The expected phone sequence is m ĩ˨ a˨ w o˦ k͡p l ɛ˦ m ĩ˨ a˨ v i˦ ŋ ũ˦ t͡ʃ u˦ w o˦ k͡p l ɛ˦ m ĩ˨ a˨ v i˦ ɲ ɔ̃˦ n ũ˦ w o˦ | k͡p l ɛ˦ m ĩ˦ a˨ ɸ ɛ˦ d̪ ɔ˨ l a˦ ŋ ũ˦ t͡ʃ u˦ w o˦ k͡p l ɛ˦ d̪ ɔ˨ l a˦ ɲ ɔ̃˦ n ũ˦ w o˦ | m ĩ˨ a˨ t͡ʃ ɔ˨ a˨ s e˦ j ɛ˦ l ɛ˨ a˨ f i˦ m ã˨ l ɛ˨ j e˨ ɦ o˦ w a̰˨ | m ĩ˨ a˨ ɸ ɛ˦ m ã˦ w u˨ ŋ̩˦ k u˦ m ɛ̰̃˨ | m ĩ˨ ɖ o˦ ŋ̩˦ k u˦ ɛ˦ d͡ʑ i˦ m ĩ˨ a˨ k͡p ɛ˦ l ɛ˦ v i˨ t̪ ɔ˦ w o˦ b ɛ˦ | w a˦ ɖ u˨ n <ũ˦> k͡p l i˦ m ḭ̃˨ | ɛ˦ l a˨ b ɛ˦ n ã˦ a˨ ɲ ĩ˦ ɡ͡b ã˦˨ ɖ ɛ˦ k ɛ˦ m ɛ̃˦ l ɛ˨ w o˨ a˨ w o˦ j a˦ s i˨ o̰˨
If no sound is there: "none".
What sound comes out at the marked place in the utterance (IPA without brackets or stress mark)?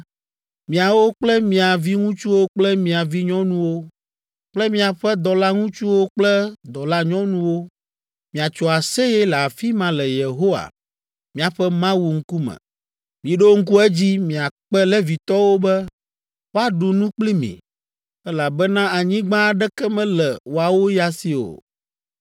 ũ˦